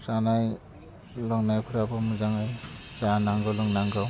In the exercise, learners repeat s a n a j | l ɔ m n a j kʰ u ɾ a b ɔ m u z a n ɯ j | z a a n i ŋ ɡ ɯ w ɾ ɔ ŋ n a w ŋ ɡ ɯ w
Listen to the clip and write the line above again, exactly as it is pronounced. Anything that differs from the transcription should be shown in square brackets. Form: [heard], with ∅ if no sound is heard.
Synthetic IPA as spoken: s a n a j | l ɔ [ŋ] n a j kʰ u ɾ a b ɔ m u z a [ŋ] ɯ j | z a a n [a] ŋ ɡ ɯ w [l] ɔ ŋ n a [∅] ŋ ɡ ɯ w